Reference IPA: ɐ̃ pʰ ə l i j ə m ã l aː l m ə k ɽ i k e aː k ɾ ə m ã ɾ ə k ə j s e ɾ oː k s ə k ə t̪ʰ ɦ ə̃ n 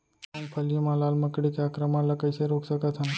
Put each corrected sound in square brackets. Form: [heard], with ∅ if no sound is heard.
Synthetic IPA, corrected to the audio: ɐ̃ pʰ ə l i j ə m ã l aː l m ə k ɽ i k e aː k ɾ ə m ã [l] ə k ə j s e ɾ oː k s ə k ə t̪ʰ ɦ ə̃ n